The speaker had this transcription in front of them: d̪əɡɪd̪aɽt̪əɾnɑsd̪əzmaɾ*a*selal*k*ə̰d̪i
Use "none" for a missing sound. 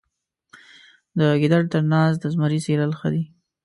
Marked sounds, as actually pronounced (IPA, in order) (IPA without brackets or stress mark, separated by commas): i, x